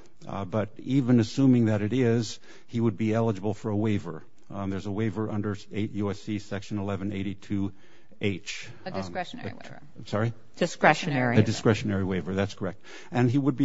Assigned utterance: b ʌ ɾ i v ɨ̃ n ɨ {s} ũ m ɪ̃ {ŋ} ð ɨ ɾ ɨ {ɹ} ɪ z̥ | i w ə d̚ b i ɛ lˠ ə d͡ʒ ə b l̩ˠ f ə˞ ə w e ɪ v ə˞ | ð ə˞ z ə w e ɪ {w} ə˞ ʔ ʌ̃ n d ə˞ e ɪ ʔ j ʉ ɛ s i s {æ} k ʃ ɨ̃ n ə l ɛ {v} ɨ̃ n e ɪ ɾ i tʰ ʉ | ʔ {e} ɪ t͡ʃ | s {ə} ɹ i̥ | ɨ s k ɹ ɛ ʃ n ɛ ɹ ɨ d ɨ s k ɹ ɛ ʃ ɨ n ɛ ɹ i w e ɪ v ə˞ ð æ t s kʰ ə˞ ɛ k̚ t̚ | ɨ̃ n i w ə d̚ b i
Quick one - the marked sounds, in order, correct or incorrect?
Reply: correct, correct, incorrect, incorrect, incorrect, correct, correct, incorrect

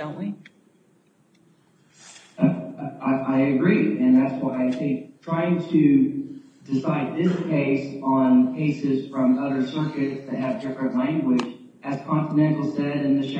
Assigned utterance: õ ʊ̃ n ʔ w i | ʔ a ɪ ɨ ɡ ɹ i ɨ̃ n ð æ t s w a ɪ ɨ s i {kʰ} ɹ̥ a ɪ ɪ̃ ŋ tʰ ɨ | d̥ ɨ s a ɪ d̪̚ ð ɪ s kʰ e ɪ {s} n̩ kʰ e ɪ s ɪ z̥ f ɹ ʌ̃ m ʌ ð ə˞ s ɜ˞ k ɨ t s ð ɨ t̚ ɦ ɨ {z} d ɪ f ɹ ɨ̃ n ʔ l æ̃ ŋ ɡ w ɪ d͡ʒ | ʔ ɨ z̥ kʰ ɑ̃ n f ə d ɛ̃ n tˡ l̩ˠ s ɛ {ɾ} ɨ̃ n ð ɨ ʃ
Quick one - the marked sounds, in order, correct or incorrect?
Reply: incorrect, correct, incorrect, correct

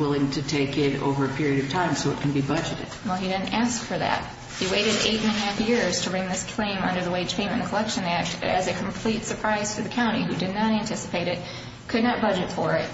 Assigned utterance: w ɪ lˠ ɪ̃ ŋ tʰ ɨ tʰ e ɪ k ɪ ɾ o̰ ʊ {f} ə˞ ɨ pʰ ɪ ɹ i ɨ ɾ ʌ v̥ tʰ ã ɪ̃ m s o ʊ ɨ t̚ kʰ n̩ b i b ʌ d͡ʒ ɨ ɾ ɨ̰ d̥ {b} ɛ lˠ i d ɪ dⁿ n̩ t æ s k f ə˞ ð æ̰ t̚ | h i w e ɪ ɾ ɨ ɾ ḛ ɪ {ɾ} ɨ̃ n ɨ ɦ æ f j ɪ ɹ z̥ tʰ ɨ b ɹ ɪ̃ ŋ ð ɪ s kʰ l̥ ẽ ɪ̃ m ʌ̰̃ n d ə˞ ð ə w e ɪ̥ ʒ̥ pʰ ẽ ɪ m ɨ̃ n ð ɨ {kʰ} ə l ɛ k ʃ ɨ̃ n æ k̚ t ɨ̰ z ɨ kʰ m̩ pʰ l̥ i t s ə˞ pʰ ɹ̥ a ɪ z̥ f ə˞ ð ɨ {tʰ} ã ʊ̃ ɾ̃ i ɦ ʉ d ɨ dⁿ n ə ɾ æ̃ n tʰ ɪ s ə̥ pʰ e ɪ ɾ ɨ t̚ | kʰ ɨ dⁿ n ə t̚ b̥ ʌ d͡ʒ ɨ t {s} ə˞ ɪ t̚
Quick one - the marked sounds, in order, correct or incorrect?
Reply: incorrect, incorrect, correct, correct, incorrect, incorrect

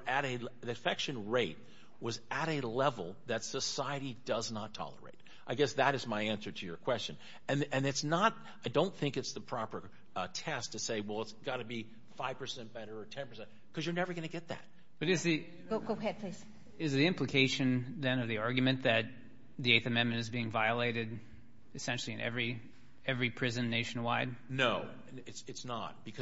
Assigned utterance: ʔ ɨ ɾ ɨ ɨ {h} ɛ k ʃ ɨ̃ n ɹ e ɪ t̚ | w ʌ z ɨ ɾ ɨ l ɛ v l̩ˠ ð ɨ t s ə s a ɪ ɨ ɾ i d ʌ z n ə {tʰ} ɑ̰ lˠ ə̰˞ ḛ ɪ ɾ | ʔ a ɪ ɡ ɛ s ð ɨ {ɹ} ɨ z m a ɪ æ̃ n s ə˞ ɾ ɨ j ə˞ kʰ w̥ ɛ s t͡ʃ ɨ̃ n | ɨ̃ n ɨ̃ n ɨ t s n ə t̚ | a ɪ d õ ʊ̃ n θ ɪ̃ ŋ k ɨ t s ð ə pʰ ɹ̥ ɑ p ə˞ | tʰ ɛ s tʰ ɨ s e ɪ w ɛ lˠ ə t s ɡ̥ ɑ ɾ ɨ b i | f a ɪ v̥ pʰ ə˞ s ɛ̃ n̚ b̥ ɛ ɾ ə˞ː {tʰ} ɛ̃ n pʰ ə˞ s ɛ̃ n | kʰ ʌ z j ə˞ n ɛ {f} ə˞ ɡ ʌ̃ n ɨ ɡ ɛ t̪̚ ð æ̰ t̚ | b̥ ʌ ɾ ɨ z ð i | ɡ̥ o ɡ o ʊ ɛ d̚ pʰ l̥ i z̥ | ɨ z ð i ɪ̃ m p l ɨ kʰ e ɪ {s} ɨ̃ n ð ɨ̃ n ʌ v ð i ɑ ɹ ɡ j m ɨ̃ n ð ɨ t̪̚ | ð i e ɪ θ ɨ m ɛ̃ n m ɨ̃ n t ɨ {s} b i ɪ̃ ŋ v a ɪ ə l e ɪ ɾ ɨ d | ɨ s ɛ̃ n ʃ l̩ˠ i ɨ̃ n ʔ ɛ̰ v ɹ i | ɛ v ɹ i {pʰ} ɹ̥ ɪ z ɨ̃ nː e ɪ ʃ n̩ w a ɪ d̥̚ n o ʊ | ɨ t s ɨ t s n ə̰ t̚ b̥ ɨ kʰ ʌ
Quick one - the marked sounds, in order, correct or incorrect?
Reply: incorrect, correct, incorrect, correct, incorrect, incorrect, incorrect, correct

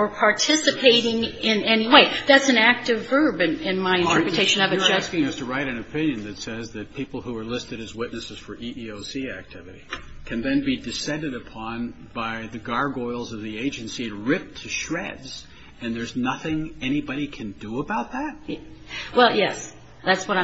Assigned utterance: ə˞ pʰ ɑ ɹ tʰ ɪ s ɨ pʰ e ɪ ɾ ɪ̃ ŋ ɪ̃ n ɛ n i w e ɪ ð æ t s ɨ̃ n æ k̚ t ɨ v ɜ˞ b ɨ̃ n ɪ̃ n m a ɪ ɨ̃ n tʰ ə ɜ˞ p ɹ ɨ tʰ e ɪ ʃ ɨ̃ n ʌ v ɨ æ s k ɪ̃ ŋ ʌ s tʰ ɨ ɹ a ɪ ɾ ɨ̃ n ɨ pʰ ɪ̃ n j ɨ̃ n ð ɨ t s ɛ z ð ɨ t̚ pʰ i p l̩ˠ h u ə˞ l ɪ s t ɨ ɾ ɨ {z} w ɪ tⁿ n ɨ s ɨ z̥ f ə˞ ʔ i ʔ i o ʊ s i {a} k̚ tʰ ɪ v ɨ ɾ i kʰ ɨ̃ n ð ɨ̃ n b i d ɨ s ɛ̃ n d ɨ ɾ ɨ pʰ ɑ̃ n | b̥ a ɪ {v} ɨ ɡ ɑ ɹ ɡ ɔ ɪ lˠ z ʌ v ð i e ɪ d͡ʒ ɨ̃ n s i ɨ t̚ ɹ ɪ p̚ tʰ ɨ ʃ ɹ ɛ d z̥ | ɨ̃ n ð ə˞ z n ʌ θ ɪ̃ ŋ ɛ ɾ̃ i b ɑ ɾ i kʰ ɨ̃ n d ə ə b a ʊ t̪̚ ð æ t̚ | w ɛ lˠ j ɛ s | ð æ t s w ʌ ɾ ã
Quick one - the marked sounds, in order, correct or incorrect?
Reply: correct, incorrect, incorrect

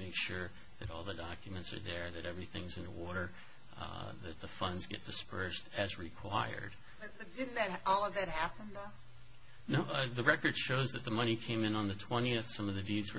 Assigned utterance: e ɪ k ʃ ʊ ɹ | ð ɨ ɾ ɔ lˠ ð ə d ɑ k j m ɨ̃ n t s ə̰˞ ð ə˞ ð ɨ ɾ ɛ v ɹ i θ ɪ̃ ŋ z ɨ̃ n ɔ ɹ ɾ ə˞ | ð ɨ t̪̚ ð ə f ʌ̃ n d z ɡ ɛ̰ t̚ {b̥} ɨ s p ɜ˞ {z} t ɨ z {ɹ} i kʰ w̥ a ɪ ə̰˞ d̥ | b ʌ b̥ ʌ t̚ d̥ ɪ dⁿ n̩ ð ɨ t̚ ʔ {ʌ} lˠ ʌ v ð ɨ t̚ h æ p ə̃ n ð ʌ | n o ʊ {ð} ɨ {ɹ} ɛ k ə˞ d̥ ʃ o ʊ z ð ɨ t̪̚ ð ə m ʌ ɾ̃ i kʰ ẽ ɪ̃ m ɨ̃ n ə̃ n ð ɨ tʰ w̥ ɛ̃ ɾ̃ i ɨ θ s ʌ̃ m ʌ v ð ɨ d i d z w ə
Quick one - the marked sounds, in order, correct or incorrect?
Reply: incorrect, incorrect, correct, incorrect, correct, correct

